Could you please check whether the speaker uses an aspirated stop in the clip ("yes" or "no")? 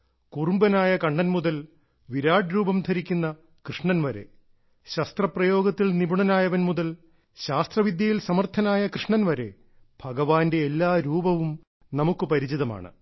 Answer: yes